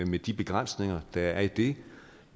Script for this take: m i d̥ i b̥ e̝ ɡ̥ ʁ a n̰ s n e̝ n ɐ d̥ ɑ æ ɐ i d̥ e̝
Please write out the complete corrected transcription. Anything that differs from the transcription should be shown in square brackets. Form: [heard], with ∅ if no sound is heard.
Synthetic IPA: m [e] d̥ i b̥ e̝ ɡ̥ ʁ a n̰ s n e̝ [ŋ] ɐ d̥ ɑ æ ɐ i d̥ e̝